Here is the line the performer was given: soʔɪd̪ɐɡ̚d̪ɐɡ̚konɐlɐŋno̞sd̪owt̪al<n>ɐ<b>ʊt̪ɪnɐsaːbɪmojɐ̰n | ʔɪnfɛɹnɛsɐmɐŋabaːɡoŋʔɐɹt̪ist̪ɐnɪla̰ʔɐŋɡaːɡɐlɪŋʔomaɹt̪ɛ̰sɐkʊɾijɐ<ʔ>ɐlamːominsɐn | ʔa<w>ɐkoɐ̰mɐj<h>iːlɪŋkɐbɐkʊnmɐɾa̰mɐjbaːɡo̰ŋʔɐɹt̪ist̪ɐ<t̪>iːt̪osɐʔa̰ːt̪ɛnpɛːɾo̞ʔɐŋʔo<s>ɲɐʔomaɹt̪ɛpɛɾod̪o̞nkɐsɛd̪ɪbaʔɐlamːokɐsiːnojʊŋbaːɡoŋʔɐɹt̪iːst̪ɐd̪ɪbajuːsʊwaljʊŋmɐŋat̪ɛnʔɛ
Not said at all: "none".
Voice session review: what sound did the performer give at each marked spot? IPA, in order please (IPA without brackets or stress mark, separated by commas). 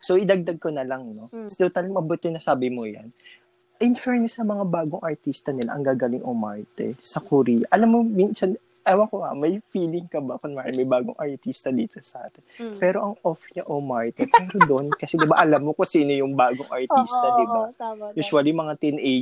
m, b, ʔ, w, f, d̪, f